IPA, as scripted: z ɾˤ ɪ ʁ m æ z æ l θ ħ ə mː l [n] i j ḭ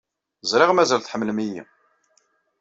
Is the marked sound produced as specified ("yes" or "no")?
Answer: no